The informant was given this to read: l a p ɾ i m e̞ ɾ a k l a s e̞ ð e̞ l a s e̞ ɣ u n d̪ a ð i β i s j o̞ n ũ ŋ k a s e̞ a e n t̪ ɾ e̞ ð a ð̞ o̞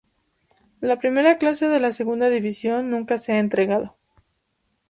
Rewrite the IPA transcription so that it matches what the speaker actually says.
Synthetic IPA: l a p ɾ i m e̞ ɾ a k l a s e̞ ð e̞ l a s e̞ ɣ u n d̪ a ð i β i s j o̞ nː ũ ŋ k a s e̞ a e n t̪ ɾ e̞ ɣ a ð̞ o̞